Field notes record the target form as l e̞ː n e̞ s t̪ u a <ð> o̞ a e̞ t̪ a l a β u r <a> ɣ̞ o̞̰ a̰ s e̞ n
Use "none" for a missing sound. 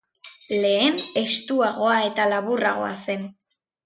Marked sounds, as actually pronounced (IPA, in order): ɣ, a

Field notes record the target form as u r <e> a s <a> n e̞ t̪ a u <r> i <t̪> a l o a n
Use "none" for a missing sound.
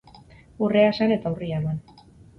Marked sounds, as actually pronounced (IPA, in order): e, a, r, none

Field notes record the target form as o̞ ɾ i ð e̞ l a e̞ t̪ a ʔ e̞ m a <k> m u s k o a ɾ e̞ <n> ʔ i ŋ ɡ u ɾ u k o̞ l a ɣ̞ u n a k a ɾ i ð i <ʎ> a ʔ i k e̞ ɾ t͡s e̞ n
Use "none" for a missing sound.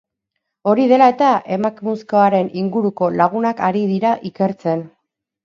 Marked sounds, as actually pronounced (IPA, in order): k, n, ɾ

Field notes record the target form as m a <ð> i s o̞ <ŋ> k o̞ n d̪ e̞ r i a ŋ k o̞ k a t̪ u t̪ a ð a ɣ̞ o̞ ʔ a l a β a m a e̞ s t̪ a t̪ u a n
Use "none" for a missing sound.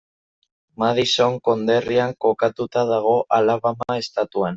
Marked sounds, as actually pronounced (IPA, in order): ð, ŋ

